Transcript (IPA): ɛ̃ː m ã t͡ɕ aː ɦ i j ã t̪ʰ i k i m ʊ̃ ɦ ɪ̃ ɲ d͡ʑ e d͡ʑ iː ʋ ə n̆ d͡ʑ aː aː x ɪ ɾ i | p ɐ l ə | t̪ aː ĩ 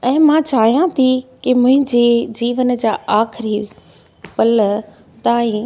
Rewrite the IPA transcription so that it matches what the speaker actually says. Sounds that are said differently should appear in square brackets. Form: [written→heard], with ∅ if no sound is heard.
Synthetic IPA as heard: ɛ̃ː m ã t͡ɕ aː ɦ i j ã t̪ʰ i k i m ʊ̃ ɦ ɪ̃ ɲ d͡ʑ e d͡ʑ iː ʋ ə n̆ d͡ʑ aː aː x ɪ ɾ i | p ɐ l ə | t̪ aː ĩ